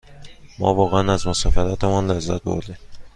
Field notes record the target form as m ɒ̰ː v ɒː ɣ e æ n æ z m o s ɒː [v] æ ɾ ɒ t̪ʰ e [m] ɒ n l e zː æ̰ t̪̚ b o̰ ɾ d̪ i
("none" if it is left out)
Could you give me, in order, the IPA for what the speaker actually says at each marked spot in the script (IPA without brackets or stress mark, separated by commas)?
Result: f, m